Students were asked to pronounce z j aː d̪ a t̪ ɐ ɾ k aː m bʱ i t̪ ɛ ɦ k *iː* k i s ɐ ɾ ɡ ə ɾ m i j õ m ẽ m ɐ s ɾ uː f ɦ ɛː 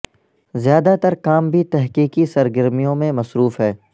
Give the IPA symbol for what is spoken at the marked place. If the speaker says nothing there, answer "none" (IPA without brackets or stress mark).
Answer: iː